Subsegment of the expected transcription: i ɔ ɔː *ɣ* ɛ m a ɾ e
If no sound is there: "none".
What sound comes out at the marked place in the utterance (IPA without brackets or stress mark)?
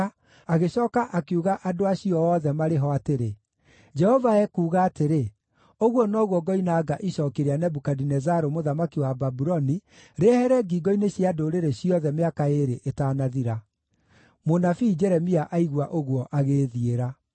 ð